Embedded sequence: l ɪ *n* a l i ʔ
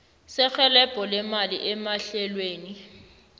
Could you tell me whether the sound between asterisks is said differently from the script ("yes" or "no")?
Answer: yes